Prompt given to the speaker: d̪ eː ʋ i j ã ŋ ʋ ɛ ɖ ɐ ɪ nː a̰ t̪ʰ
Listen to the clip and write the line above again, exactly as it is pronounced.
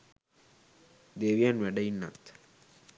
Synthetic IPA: d̪ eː ʋ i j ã n ʋ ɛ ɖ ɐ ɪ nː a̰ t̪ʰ

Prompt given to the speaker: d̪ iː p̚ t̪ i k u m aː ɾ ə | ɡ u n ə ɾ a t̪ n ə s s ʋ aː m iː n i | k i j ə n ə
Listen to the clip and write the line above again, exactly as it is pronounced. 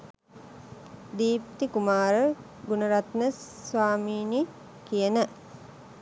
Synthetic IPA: d̪ iː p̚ t̪ i k u m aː ɾ ə | ɡ u n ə ɾ a t̪ n ə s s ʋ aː m iː n i | k i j ə n ə

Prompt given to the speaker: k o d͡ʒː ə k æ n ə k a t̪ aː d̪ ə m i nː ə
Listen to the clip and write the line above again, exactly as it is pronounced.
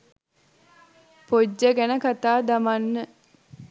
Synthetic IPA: p o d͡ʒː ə ɡ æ n ə k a t̪ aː d̪ a m a nː ə

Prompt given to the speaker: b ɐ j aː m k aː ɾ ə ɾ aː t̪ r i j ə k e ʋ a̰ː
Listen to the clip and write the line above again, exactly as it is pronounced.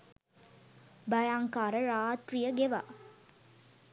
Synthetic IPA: b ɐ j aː ŋ k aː ɾ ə ɾ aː t̪ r i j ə ɡ e ʋ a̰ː

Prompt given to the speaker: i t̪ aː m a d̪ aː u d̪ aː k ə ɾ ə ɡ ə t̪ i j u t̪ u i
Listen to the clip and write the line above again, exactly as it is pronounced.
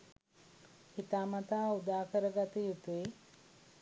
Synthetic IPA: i t̪ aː m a t̪ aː u d̪ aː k ə ɾ ə ɡ a t̪ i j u t̪ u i

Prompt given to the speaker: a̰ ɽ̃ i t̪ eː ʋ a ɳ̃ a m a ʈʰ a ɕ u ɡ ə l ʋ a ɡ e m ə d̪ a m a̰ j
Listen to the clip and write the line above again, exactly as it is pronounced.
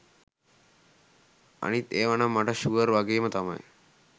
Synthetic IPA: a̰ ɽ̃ i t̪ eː ʋ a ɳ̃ a m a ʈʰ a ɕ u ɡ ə ɾ ʋ a ɡ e m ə t̪ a m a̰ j

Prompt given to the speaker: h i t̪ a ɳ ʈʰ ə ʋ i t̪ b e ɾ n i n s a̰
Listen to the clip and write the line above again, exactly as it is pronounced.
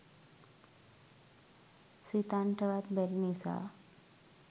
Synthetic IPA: s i t̪ a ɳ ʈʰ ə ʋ a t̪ b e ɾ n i s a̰

